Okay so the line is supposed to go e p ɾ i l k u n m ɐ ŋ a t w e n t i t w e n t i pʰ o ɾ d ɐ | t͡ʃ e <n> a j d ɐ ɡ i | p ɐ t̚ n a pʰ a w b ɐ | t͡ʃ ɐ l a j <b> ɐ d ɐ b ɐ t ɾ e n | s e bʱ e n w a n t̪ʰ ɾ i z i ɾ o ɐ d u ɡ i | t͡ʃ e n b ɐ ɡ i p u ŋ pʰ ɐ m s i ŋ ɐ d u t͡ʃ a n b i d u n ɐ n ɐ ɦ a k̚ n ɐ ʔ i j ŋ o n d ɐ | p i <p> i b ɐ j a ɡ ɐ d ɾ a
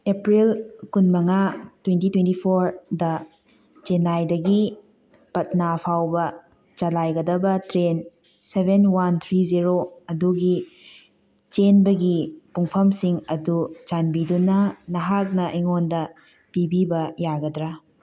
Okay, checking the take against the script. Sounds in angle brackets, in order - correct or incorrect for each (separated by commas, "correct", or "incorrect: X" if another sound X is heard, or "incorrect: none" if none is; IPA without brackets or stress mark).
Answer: correct, incorrect: ɡ, incorrect: b